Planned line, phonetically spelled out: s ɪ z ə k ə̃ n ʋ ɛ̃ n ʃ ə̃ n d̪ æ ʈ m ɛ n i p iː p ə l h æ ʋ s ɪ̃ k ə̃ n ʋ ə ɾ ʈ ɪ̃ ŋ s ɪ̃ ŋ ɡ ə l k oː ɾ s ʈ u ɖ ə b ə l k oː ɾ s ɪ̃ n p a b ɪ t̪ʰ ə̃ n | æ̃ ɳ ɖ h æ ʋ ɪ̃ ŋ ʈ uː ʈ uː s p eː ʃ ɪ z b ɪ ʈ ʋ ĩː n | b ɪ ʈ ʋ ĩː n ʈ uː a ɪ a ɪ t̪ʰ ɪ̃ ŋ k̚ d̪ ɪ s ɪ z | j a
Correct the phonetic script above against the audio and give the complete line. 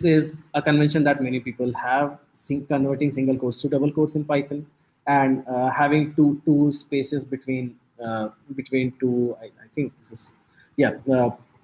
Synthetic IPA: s ɪ z ə k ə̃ n ʋ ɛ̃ n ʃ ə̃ n d̪ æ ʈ m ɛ n i p iː p ə l h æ ʋ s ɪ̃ k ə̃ n ʋ ə ɾ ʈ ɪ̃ ŋ s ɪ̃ ŋ ɡ ə l k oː ɾ s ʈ u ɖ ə b ə l k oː ɾ s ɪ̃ n p a ɪ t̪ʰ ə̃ n | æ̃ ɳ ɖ h æ ʋ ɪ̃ ŋ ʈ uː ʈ uː s p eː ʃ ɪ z b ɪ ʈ ʋ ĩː n | b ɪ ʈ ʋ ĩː n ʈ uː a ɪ a ɪ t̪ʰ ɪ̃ ŋ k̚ d̪ ɪ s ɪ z | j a